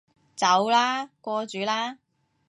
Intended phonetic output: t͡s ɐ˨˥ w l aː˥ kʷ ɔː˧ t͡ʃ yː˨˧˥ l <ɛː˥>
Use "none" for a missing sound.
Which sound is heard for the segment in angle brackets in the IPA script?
aː˥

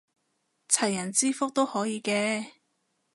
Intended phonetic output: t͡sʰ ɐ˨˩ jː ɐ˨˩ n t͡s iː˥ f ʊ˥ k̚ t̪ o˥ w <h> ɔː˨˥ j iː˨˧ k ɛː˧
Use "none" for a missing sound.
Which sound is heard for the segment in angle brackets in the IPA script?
h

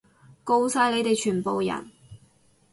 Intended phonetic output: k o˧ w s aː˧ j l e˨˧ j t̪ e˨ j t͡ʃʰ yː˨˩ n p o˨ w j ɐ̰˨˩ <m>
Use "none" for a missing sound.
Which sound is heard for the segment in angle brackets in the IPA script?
n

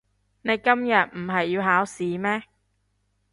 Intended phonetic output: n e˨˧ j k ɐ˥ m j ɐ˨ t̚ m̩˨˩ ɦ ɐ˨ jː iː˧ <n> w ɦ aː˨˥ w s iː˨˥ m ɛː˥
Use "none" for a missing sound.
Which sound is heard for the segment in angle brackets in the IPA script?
none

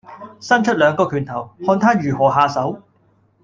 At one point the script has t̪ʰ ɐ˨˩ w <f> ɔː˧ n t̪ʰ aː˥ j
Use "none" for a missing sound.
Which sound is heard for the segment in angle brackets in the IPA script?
h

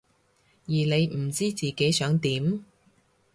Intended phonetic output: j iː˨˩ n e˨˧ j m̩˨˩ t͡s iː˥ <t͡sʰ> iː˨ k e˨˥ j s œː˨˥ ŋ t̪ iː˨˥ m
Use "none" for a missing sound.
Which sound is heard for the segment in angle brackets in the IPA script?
t͡s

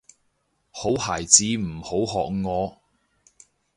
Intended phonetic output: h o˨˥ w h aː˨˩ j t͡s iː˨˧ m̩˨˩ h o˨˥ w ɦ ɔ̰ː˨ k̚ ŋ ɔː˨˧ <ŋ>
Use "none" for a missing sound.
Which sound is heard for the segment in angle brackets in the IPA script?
none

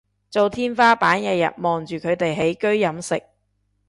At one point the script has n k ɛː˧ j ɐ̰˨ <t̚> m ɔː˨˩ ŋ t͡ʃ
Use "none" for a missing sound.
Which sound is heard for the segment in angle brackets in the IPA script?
t̚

